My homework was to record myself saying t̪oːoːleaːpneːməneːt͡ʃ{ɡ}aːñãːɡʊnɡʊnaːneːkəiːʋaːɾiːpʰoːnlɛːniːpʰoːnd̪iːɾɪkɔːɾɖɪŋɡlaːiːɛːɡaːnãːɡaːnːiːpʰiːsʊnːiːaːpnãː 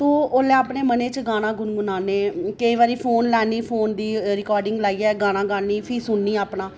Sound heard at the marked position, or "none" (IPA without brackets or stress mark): ɡ